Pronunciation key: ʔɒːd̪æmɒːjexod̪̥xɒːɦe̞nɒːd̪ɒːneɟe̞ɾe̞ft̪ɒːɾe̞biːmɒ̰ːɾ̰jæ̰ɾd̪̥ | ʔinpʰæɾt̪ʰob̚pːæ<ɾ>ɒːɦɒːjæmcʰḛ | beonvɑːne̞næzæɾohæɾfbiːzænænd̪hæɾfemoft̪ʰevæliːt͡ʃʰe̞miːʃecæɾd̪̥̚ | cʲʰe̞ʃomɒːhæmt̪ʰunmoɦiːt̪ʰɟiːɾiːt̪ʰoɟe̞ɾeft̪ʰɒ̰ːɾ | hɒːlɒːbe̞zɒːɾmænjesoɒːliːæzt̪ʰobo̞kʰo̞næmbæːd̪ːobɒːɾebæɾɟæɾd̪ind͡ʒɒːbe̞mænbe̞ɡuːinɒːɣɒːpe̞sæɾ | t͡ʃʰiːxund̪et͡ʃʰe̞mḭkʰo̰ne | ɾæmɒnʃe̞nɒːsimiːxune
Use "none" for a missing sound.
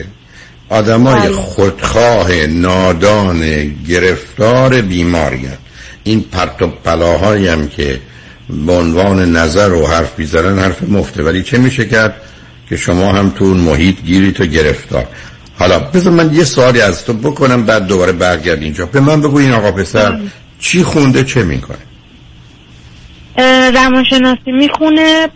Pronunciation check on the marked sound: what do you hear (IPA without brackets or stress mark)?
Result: l